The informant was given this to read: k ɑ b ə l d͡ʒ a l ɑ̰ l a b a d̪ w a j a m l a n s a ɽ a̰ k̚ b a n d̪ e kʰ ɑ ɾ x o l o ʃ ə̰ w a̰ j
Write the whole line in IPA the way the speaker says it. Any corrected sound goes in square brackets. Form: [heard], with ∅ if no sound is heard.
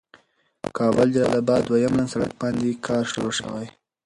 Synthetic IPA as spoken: k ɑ b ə l d͡ʒ a l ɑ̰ l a b [ɑ] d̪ w a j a m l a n s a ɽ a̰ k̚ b [ɑ] n d̪ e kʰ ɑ ɾ [ʃ] o [ɾ] o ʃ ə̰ w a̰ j